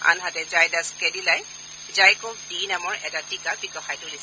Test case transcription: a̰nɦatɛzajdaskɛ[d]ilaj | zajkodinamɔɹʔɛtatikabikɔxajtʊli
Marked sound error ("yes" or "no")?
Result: no